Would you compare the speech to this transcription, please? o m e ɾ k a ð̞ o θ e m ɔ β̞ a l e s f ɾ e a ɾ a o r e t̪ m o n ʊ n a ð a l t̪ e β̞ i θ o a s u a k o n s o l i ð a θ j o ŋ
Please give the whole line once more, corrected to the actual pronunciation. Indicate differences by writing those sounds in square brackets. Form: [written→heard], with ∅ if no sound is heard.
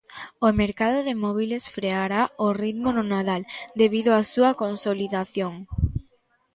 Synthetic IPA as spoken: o m e ɾ k a ð̞ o [θ→ð] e m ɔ β̞ [a→i] l e s f ɾ e a ɾ a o r [e→i] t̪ m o n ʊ n a ð a l [t̪→d̪] e β̞ i [θ→ð] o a s u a k o n s o l i ð a θ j o ŋ